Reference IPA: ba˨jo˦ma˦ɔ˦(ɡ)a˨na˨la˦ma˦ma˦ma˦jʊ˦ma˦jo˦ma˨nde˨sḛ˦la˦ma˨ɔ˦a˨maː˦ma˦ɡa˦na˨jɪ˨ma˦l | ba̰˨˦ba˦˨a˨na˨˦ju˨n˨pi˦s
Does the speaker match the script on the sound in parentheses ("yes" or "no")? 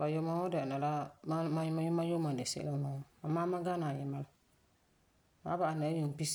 no